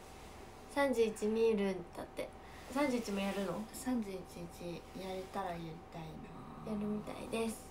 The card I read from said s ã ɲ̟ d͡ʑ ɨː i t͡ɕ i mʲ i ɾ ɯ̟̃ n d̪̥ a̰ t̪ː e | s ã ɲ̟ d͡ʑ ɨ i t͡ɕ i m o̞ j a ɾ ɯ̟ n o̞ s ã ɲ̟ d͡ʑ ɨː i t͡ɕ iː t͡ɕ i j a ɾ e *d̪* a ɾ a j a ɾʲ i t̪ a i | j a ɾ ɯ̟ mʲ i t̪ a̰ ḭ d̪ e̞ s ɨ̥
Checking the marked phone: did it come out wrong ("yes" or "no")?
yes